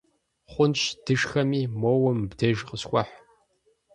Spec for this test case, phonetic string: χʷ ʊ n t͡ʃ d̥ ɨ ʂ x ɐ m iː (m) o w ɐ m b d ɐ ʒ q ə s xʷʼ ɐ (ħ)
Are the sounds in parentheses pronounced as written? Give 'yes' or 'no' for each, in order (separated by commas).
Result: yes, yes